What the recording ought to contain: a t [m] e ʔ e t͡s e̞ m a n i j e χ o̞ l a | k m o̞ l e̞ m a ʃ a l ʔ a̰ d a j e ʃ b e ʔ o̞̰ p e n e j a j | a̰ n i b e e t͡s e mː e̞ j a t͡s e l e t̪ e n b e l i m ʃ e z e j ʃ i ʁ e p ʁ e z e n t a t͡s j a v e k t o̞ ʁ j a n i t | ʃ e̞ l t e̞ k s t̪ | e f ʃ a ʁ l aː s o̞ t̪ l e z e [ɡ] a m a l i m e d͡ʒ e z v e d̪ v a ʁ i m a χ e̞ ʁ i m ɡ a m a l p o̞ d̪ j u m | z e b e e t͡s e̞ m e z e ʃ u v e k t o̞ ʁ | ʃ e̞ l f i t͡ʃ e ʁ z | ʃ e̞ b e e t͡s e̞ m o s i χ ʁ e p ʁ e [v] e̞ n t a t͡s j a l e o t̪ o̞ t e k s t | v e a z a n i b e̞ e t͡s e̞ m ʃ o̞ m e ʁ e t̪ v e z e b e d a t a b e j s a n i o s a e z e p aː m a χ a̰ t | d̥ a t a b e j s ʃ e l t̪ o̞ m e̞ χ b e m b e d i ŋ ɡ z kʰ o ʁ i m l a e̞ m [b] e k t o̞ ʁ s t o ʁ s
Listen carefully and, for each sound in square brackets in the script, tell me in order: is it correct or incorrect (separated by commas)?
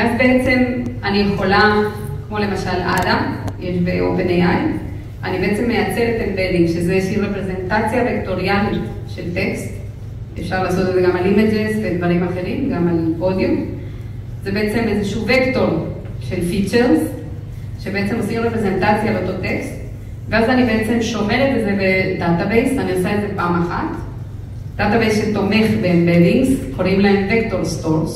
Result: incorrect, correct, incorrect, incorrect